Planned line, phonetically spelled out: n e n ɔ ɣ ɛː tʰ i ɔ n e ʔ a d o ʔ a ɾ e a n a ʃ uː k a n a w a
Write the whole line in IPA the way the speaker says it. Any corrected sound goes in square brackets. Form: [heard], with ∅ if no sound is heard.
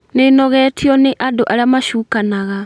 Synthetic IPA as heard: n e n ɔ ɣ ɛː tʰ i ɔ n e ʔ a d o ʔ a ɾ e a [m] a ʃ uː k a n a [ɣ] a